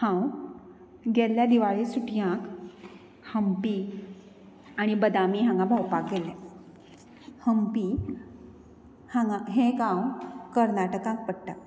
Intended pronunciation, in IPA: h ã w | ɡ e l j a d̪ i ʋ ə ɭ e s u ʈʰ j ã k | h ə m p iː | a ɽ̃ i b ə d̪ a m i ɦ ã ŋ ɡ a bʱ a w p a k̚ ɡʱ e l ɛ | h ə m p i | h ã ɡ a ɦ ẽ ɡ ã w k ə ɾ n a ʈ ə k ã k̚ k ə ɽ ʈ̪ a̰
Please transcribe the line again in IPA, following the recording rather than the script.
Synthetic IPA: h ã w | ɡ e l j a d̪ i ʋ a ɭ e s u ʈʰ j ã k | h ə m p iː | a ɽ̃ i b ə d̪ a m i ɦ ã ŋ ɡ a bʱ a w p a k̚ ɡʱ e l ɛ | h ə m p i | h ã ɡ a ɦ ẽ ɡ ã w k ə ɾ n a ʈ ə k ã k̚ p ə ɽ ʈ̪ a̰

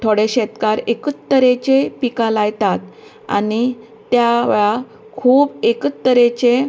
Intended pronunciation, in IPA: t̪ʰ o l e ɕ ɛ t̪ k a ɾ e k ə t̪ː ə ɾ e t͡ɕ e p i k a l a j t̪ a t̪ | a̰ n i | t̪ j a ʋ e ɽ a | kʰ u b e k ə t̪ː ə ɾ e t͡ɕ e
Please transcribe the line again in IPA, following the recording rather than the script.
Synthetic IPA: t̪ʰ o ɽ e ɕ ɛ t̪ k a ɾ e k ə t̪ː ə ɾ e t͡ɕ e p i k a l a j t̪ a t̪ | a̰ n i | t̪ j a ʋ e ɭ a | kʰ uː b e k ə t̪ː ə ɾ e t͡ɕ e

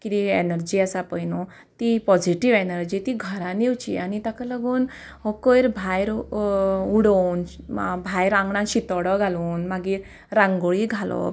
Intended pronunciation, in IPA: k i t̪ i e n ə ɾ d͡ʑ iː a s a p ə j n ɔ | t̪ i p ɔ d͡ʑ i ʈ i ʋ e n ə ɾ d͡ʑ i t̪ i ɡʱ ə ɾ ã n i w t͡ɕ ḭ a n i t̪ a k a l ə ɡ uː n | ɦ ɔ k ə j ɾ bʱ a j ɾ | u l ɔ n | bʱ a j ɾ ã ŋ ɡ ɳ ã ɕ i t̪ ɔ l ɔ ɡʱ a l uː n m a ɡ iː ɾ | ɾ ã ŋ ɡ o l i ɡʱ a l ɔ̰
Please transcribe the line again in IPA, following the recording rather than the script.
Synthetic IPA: k i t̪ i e n ə ɾ d͡ʑ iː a s a p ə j n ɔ | t̪ i p ɔ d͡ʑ i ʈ i ʋ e n ə ɾ d͡ʑ i t̪ i ɡʱ ə ɾ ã n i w t͡ɕ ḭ a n i t̪ a k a l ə ɡ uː n | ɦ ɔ k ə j ɾ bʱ a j ɾ | u ɽ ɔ n | bʱ a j ɾ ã ŋ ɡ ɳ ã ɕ i t̪ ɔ ɽ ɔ ɡʱ a l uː n m a ɡ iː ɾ | ɾ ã ŋ ɡ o ɭ i ɡʱ a l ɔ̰

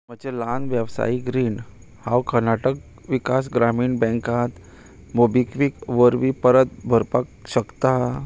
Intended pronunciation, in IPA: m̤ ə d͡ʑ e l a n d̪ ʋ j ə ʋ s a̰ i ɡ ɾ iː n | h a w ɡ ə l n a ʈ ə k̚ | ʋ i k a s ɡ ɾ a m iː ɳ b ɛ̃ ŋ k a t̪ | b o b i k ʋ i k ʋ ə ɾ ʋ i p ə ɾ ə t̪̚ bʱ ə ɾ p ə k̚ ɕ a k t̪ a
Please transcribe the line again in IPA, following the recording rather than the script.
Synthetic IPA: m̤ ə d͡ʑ e l a n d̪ ʋ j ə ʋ s a̰ i ɡ ɾ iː n | h a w k ə ɾ n a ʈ ə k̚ | ʋ i k a s ɡ ɾ a m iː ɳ b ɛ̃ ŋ k a t̪ | m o b i k ʋ i k ʋ ə ɾ ʋ i p ə ɾ ə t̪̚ bʱ ə ɾ p a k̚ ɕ ə k t̪ a

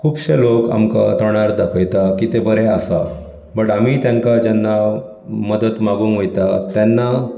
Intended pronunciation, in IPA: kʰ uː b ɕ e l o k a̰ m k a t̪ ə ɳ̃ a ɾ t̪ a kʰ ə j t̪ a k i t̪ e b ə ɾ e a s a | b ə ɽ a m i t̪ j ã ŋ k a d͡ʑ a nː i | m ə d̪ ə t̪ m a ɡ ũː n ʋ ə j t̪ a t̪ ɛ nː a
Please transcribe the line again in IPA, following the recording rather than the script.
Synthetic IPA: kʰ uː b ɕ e l o k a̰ m k a t̪ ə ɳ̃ a ɾ d̪ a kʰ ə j t̪ a k i t̪ e b ə ɾ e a s a | b ə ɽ a m i t̪ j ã ŋ k a d͡ʑ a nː a | m ə d̪ ə t̪ m a ɡ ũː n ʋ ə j t̪ a t̪ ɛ nː a

